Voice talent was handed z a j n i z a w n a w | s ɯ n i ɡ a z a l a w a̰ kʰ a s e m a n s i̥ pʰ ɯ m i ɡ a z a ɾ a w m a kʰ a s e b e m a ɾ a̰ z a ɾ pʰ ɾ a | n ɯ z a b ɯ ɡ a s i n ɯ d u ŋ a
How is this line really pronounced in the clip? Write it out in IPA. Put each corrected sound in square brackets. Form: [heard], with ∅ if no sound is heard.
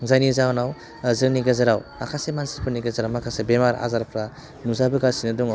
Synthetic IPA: z a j n i z a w n a w | [z] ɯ n i ɡ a z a [ɾ] a w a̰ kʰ a s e m a n s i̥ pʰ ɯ [n] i ɡ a z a ɾ a w m a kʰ a s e b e m a ɾ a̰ z a ɾ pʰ ɾ a | n [u] z a b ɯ ɡ a s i n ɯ d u ŋ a